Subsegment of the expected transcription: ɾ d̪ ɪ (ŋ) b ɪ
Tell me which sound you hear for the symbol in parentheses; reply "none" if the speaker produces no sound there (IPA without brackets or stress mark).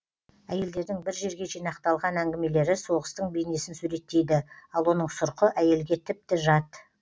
ŋ